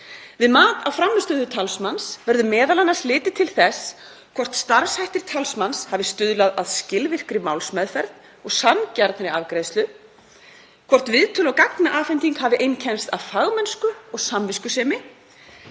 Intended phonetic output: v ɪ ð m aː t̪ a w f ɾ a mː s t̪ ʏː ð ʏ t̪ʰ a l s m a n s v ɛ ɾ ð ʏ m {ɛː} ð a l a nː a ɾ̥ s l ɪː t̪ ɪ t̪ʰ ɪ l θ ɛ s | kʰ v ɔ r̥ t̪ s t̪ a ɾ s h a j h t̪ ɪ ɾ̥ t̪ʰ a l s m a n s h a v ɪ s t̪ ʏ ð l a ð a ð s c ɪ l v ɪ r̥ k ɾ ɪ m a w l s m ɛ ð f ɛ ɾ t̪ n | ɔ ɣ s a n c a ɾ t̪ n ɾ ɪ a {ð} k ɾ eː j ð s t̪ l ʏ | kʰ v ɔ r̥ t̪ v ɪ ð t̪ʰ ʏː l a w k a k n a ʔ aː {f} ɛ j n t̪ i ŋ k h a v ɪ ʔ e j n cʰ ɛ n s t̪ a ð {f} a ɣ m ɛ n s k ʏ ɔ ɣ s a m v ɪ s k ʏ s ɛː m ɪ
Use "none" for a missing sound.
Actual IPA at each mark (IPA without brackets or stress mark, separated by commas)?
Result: ɛː, v, f, f